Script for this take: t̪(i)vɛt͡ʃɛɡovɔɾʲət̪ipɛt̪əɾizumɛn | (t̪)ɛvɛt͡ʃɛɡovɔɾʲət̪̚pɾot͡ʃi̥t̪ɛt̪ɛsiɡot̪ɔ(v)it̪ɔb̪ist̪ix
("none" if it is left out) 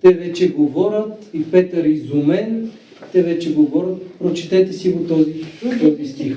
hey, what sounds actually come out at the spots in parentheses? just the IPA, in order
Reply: ɛ, t̪, z

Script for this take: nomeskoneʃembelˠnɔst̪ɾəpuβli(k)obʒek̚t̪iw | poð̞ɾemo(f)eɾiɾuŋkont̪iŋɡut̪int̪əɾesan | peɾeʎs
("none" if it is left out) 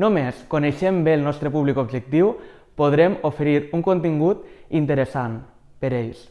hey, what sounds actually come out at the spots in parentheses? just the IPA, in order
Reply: k, f

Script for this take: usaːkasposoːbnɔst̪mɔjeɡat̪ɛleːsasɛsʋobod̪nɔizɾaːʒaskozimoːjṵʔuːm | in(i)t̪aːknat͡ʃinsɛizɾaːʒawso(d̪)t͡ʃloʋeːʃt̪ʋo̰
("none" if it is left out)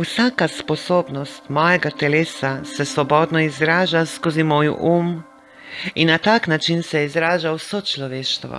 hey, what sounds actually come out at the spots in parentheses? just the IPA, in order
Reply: a, none

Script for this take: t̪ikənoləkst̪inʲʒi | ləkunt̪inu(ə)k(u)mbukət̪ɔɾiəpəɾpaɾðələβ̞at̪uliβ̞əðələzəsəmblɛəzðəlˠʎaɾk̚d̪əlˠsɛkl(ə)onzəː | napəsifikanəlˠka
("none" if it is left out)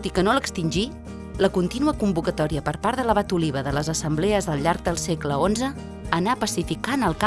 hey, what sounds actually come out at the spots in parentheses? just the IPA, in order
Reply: ə, u, ə

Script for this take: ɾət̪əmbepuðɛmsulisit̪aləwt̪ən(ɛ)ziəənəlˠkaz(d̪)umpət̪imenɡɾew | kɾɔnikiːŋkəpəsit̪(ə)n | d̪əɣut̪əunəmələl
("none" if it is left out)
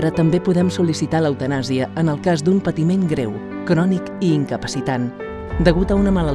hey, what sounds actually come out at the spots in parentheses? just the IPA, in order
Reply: a, d̪, a

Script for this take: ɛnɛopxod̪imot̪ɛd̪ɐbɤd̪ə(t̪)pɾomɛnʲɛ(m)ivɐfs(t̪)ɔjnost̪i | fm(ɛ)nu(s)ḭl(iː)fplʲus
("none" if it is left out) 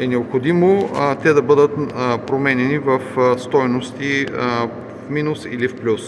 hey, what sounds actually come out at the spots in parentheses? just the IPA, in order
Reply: t̪, n, t̪, i, s, i

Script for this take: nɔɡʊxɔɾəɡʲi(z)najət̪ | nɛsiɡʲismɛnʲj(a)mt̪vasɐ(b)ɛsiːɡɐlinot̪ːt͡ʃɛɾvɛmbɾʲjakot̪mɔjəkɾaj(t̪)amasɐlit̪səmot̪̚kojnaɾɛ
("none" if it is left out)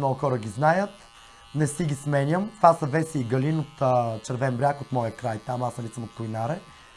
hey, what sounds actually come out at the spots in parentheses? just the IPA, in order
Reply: z, ə, v, t̪

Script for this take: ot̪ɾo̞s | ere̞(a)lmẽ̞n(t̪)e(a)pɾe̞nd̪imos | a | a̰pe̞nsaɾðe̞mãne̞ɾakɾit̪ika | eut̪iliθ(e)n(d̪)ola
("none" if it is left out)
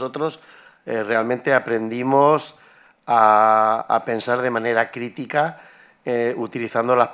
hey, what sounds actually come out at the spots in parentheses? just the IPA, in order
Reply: a, t̪, a, a, d̪

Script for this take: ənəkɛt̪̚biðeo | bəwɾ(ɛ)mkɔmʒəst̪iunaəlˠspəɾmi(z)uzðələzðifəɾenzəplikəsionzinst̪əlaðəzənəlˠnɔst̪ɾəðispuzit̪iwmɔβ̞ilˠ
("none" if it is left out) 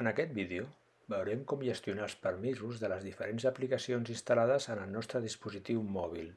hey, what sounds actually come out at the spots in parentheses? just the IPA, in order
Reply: ɛ, z

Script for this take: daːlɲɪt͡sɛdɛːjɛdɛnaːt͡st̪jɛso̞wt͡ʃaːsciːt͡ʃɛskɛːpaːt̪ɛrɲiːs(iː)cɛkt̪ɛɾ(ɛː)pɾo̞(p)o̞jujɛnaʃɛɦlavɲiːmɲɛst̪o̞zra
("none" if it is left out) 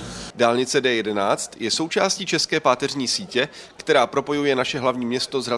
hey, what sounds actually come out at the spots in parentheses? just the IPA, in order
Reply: iː, aː, p

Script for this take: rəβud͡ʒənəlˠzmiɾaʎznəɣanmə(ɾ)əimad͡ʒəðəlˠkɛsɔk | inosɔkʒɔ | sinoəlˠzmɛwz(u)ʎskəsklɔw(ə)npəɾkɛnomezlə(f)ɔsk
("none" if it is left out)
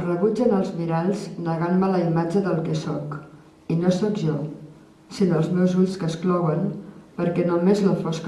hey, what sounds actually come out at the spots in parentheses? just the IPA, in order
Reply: l, u, ə, f

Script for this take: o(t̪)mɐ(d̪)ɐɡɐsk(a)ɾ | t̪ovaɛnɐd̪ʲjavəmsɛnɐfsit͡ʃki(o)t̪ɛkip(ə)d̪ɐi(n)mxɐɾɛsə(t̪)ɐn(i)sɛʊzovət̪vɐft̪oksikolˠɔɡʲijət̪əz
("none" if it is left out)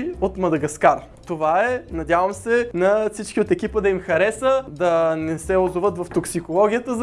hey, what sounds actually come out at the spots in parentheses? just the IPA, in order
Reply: t̪, d̪, a, o, ə, none, d̪, ɛ

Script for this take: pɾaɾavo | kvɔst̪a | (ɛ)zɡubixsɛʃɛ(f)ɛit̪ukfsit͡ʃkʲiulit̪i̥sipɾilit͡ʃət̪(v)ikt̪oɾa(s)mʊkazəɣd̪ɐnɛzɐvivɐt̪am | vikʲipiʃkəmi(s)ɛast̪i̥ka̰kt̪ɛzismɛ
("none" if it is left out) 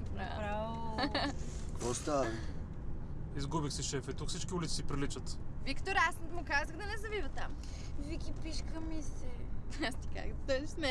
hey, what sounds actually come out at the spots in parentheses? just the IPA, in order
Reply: i, f, v, s, s

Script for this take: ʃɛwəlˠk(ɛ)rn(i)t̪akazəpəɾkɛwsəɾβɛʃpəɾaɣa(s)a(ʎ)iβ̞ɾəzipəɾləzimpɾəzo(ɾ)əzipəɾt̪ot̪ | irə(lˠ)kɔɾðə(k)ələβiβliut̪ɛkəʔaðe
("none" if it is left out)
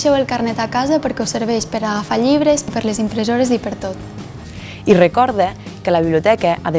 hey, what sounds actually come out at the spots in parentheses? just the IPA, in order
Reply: a, ɛ, f, ʎ, ɾ, none, k

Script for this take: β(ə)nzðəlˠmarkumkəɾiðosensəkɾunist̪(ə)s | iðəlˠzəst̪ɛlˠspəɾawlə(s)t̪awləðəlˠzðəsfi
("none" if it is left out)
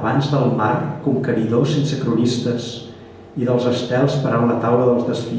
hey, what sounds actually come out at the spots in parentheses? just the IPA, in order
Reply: a, ə, none

